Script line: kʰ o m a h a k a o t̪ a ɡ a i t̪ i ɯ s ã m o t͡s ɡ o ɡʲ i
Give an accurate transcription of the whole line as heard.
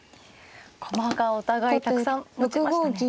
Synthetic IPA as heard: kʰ o m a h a k a o t̪ a ɡ a i t̪ a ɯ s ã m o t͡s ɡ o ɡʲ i